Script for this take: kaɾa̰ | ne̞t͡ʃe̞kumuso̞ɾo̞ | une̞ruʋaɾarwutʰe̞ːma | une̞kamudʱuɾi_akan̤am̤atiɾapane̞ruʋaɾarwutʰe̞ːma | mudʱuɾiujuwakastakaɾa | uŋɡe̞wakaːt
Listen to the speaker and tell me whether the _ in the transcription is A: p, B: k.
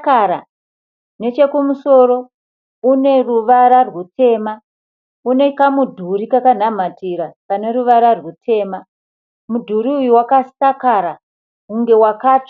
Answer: B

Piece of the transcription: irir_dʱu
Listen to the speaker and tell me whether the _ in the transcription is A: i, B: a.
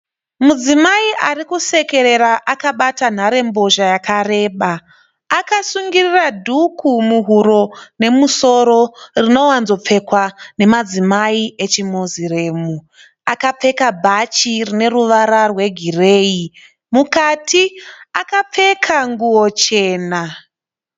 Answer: B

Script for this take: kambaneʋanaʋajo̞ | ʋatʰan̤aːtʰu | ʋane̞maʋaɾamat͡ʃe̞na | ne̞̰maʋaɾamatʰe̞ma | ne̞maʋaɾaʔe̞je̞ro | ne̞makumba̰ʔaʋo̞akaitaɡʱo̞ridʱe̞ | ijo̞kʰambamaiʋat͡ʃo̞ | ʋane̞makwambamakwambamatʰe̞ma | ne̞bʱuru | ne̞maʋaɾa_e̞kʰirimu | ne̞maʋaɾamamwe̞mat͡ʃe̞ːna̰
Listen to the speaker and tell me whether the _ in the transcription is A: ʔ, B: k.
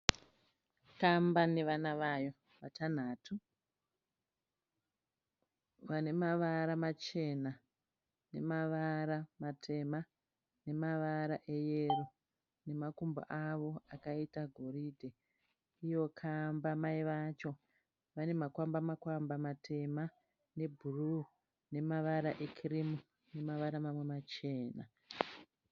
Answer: A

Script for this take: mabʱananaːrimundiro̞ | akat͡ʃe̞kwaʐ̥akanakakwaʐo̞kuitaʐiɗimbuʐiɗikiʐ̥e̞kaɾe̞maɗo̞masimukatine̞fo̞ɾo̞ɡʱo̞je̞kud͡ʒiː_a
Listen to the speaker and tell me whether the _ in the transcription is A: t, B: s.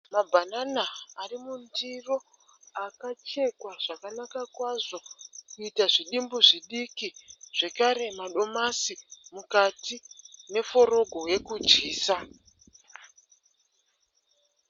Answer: B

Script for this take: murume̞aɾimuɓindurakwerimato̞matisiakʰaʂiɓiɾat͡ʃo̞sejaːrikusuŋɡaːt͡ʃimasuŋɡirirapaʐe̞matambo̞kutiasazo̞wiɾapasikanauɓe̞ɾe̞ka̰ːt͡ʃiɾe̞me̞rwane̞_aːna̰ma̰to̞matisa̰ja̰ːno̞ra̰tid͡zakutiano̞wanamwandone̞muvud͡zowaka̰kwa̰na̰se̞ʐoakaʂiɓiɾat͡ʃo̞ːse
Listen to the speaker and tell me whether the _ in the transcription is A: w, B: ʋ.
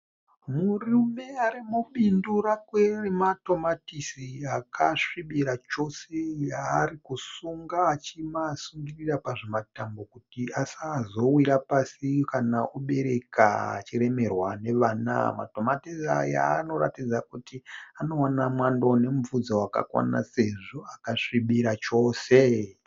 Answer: B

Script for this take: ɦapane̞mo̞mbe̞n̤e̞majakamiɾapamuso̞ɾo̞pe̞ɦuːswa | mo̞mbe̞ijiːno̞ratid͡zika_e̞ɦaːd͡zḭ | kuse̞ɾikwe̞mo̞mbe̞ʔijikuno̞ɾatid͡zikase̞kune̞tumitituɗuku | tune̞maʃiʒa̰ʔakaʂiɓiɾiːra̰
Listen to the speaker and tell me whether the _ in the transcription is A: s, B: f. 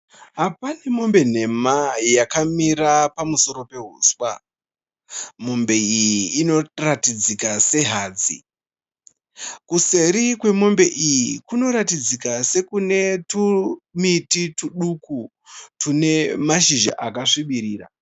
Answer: A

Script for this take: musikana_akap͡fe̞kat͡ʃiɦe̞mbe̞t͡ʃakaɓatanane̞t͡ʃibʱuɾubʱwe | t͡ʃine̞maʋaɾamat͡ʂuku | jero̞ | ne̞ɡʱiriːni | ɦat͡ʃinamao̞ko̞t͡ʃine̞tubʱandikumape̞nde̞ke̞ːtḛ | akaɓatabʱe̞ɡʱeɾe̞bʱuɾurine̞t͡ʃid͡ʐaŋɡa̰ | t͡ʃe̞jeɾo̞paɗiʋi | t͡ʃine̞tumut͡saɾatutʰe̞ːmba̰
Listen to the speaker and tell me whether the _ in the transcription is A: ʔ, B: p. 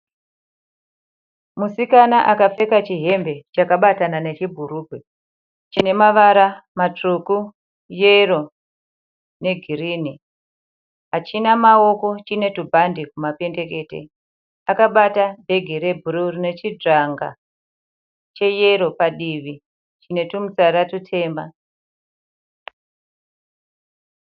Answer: A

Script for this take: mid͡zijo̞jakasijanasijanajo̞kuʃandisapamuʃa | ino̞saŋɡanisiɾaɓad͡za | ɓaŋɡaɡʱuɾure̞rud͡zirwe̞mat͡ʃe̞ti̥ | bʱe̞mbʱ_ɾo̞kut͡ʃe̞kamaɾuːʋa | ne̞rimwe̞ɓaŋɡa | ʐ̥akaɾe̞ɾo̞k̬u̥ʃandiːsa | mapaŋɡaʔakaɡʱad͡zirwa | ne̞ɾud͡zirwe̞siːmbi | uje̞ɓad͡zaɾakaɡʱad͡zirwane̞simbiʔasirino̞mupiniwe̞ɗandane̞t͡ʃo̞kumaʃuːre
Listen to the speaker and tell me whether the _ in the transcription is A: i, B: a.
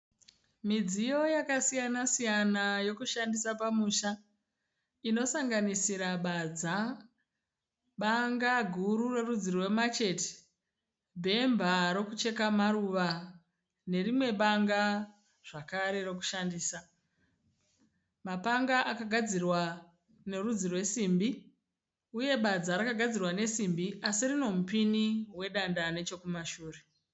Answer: B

